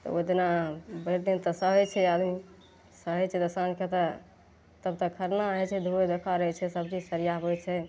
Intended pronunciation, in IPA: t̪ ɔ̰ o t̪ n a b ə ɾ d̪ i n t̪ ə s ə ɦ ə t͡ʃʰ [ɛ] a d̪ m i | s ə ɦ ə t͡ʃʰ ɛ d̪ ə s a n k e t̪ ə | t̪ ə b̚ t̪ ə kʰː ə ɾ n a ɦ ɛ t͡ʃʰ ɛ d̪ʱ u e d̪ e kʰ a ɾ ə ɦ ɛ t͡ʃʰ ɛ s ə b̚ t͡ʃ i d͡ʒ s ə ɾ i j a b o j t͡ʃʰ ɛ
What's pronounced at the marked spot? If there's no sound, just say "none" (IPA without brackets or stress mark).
ɛ